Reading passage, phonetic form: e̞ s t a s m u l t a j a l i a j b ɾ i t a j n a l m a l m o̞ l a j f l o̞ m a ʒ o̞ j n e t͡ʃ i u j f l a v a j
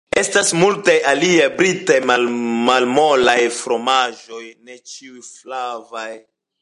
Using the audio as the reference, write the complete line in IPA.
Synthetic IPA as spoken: e̞ s t a s m u l t a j a l i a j b ɾ i t a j m a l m a l m o̞ l a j f ɾ o̞ m a ʒ o̞ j n e t͡ʃ i u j f l a v a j